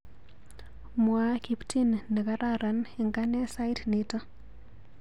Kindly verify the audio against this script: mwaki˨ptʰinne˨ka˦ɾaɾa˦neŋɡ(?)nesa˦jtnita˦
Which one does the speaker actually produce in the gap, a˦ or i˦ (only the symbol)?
a˦